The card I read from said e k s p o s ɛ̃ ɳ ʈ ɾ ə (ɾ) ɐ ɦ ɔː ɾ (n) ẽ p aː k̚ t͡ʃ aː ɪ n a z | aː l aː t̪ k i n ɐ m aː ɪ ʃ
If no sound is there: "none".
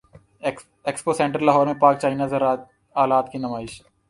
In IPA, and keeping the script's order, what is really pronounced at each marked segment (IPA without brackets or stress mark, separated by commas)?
l, m